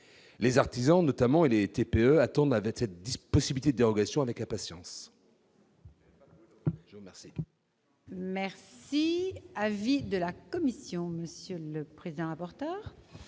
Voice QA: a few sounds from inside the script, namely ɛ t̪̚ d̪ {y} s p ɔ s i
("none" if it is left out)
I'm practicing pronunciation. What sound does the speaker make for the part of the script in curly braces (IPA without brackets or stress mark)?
i